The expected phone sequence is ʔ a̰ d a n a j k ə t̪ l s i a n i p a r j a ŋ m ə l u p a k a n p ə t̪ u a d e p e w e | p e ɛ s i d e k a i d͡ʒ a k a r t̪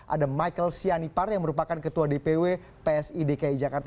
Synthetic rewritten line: ʔ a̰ d a m a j k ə l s i a n i p a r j a ŋ m ə ɾ u p a k a n k ə t̪ u a d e p e w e | p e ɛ s i d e k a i d͡ʒ a k a r t̪